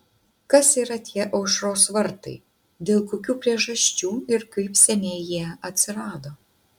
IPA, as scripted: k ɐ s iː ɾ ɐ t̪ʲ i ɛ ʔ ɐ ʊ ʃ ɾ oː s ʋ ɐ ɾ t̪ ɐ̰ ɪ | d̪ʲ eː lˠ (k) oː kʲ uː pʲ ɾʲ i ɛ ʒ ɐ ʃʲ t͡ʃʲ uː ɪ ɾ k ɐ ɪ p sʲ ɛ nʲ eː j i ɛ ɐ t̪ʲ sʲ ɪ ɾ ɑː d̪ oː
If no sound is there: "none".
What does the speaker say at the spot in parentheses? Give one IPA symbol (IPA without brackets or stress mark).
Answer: k